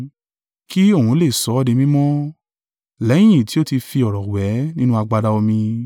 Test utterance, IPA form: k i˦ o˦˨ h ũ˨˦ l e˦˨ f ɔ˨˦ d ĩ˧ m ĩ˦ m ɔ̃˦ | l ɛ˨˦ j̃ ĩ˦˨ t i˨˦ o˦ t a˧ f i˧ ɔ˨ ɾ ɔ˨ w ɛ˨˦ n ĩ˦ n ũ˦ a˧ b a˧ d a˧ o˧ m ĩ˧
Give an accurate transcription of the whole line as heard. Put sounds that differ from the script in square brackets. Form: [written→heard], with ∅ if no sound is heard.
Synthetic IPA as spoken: k i˦ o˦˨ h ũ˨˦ l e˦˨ [f→s] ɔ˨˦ d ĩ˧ m ĩ˦ m ɔ̃˦ | l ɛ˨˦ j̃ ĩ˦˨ t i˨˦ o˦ t [a˧→i˧] f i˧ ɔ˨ ɾ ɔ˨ w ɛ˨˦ n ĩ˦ n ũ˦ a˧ [b→ɡ͡b] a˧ d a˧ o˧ m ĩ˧

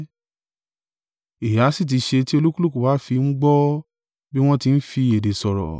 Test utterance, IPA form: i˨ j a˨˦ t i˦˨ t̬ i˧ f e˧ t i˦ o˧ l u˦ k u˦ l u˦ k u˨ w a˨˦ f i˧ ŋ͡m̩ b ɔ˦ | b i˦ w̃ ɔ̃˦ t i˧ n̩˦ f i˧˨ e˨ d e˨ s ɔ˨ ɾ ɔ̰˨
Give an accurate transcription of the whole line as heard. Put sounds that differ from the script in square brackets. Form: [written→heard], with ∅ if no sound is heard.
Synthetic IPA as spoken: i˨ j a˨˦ [t→s] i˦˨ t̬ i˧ [f→ʃ] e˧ t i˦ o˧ l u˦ k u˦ l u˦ k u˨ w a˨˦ f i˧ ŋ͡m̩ [b→ɡ͡b] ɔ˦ | b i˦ w̃ ɔ̃˦ t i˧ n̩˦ f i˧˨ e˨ d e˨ s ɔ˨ ɾ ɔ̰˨

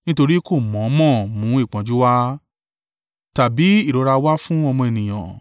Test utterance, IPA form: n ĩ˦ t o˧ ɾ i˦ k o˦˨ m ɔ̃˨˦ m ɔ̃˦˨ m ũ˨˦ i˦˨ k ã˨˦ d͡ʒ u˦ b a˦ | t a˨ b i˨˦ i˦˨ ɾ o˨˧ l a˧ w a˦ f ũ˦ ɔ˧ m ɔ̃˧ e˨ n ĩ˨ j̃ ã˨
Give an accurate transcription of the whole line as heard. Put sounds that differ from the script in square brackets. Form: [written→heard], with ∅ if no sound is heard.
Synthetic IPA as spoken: n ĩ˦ t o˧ ɾ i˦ k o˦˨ m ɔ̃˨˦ m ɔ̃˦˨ m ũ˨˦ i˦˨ [k→k͡p] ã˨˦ d͡ʒ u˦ [b→w] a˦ | t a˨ b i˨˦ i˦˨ ɾ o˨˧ [l→ɾ] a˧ w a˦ f ũ˦ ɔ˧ m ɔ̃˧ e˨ n ĩ˨ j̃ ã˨

